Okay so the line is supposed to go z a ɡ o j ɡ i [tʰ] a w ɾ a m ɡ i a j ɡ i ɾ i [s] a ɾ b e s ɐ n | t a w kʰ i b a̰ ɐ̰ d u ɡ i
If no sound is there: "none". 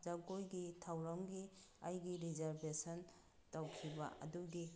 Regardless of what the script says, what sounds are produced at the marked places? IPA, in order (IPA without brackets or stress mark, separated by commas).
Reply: tʰ, z